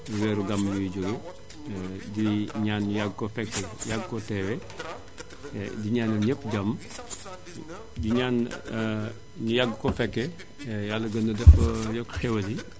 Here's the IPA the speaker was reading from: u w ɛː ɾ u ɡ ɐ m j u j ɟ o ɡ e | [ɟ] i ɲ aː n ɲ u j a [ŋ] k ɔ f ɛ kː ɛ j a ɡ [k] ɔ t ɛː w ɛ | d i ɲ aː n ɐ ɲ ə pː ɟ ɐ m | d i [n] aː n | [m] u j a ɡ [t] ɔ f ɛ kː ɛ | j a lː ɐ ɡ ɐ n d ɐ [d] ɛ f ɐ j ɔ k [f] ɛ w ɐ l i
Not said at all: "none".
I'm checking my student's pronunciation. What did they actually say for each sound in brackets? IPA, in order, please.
d, ɡ, k, ɲ, ɲ, k, d, x

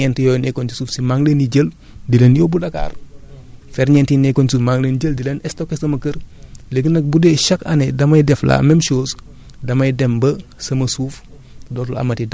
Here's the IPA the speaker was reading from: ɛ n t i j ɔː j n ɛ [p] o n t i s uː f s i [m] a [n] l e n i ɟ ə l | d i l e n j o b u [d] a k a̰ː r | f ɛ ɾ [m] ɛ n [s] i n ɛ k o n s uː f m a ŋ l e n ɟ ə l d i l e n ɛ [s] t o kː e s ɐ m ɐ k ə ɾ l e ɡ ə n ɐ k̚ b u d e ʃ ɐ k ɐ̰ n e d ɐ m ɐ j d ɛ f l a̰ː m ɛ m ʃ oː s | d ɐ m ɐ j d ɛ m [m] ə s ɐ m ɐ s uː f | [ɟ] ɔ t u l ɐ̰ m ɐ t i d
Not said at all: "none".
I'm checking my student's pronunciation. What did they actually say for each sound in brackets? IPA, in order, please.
k, m, ŋ, d, ɲ, t, s, b, d

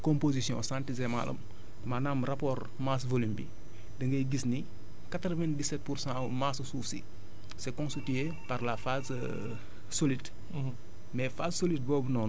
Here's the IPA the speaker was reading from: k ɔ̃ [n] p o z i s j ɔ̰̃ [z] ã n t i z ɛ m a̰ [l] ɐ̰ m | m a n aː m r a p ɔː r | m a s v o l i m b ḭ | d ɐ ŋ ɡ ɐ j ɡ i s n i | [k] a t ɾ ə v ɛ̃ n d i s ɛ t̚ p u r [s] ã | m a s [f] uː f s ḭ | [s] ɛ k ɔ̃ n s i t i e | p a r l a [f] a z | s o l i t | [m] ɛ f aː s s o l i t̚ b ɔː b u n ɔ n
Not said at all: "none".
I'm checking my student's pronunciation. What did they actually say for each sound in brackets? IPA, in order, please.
m, s, l, k, s, s, s, f, m

